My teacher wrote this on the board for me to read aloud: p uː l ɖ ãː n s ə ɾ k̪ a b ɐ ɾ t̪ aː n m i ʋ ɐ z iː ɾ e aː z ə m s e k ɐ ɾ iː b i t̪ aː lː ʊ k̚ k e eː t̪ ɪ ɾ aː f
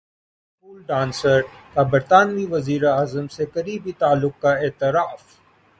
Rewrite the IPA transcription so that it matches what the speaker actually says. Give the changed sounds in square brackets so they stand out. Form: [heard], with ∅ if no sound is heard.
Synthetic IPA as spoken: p uː l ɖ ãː n s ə ɾ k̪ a b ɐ ɾ t̪ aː n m i ʋ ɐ z iː ɾ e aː z ə m s e k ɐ ɾ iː b i t̪ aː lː ʊ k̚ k [a] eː t̪ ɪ ɾ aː f